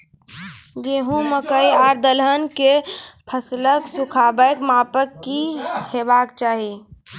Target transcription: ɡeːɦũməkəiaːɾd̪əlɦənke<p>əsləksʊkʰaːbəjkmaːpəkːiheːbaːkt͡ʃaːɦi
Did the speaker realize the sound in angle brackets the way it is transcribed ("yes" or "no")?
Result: no